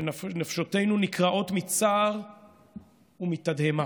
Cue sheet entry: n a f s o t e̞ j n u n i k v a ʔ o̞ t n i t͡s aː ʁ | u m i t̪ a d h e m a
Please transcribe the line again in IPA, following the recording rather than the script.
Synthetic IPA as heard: n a f ʃ o t e̞ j n u n i k ʁ a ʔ o̞ t m i t͡s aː ʁ | u m i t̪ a d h e m a